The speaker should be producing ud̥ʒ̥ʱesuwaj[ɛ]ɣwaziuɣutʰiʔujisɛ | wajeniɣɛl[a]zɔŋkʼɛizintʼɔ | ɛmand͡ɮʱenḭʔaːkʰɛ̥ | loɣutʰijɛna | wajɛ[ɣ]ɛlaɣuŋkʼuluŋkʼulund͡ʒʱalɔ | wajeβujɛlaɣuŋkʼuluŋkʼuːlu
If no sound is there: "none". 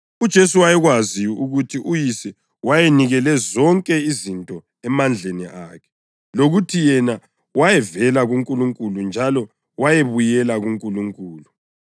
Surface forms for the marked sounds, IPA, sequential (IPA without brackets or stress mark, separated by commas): ɛ, ɛ, v